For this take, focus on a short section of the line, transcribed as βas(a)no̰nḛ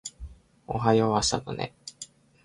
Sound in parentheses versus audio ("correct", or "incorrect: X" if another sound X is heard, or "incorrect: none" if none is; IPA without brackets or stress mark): correct